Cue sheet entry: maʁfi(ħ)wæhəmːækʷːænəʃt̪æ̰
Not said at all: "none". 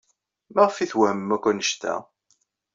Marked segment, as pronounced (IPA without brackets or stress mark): θ